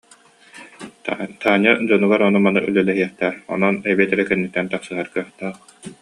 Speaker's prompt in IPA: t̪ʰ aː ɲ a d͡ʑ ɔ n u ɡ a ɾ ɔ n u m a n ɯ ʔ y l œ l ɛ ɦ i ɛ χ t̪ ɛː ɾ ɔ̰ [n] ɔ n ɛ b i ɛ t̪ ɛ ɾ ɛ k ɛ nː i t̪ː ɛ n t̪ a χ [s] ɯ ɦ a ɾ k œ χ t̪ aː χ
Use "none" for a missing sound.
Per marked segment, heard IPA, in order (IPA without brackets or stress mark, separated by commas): n, s